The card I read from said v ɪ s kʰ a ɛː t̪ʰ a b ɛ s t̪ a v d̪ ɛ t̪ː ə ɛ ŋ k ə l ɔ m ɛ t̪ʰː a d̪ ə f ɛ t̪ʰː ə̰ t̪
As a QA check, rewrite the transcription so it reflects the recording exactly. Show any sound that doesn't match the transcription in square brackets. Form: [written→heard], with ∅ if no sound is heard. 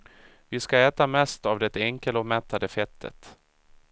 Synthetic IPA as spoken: v ɪ s [kʰ→k] a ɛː [t̪ʰ→t̪] a [b→m] ɛ s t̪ a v d̪ ɛ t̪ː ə ɛ ŋ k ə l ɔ m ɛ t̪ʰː a d̪ ə f ɛ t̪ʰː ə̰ t̪